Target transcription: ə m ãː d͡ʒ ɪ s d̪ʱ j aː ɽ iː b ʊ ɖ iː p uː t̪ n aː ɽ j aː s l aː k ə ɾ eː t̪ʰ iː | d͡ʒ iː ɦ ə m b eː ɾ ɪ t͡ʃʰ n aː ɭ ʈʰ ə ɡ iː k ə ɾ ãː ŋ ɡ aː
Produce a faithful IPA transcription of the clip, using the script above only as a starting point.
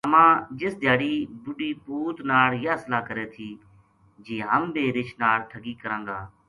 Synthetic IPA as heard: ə m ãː d͡ʒ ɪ s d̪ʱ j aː ɽ iː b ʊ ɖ iː p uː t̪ n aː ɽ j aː s l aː k ə ɾ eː t̪ʰ iː | d͡ʒ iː ɦ ə m b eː ɾ ɪ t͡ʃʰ n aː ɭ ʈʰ ə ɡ iː k ə ɾ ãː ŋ ɡ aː

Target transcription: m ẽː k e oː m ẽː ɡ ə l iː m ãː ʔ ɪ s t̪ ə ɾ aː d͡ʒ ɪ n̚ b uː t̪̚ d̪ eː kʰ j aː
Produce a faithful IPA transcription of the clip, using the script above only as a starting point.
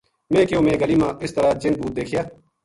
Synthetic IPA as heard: m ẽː k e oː m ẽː ɡ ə l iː m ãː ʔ ɪ s t̪ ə ɾ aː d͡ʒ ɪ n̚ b uː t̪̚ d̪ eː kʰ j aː

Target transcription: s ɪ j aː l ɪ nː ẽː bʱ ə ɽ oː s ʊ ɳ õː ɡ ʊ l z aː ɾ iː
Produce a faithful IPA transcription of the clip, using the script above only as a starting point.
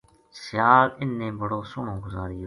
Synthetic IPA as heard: s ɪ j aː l ɪ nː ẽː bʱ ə ɽ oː s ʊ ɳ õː ɡ ʊ z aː ɾ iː

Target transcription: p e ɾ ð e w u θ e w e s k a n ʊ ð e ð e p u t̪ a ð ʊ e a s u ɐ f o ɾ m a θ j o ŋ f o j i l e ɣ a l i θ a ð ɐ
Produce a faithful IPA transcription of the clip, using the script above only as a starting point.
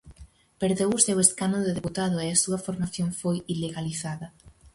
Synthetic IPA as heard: p e ɾ ð e w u s e w e s k a n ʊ ð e ð e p u t̪ a ð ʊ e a s u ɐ f o ɾ m a θ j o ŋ f o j i l e ɣ a l i θ a ð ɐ

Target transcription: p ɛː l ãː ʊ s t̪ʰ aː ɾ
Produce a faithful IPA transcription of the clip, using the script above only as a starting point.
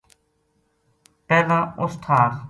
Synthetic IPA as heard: p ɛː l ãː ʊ s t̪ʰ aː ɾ

